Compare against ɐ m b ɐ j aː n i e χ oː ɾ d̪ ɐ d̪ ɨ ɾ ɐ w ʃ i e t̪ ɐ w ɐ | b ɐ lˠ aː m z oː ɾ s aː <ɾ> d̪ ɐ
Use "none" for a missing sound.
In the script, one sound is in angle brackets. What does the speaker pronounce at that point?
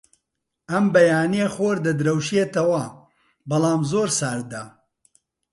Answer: ɾ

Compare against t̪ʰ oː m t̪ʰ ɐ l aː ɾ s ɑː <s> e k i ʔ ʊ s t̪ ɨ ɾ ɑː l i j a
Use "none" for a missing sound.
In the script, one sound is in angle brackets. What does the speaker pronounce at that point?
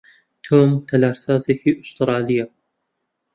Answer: z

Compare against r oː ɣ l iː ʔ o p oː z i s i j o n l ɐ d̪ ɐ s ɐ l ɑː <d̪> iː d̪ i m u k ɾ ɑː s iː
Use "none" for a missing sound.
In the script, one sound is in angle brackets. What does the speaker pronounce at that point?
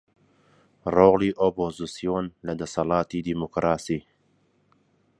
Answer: t̪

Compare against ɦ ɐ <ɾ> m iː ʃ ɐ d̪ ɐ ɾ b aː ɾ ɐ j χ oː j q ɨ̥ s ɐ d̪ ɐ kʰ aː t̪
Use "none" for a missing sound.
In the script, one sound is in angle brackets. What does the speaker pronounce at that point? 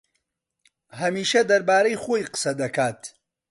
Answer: none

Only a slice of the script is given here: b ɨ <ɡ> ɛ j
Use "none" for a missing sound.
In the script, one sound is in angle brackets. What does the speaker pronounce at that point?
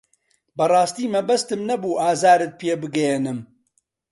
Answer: ɡ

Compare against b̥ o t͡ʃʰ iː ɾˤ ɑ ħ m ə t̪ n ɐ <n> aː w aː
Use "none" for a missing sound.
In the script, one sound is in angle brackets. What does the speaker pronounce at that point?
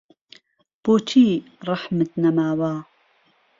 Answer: m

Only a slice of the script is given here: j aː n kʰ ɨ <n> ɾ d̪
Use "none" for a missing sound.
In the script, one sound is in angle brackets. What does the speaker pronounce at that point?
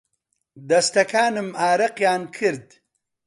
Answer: none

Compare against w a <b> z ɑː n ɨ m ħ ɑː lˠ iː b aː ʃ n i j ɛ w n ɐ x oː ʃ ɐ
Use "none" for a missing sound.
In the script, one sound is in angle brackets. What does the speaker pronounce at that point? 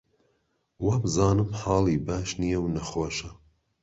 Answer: b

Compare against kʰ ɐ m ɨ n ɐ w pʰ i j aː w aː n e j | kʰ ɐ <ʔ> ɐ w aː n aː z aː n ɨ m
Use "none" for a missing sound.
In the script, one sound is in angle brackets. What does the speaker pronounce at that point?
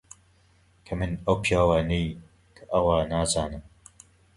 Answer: ʔ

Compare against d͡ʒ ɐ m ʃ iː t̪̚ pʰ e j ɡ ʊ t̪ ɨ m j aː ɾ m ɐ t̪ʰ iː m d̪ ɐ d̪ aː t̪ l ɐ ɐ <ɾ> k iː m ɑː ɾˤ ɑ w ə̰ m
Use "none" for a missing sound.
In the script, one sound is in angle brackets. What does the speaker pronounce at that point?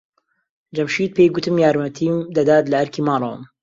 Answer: ɾ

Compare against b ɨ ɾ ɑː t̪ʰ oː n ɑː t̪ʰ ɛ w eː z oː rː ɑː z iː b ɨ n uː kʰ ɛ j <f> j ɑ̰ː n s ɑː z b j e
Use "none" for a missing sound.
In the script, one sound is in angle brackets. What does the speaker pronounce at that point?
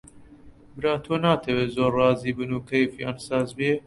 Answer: f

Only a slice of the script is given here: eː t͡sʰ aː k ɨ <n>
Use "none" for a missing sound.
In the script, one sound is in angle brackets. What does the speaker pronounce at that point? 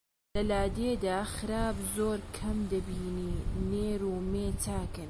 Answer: n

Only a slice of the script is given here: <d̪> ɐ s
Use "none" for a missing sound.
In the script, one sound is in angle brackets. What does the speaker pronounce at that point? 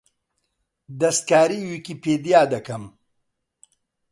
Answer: d̪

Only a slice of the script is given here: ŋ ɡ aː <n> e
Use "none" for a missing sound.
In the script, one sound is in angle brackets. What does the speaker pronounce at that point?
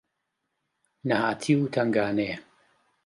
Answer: n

